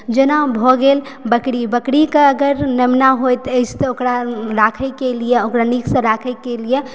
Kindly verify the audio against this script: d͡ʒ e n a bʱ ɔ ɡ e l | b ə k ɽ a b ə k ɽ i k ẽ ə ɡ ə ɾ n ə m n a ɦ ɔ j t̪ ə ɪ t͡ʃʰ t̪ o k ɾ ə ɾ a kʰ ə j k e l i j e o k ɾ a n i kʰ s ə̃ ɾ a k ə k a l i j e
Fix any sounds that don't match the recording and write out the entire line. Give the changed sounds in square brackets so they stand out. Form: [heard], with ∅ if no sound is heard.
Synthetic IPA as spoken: d͡ʒ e n a bʱ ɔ ɡ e l | b ə k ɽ [i] b ə k ɽ i k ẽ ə ɡ ə ɾ n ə m n a ɦ [o] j t̪ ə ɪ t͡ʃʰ t̪ o k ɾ [a] ɾ a kʰ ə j k e l i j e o k ɾ a n i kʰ s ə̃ ɾ a [kʰ] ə k [e] l i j e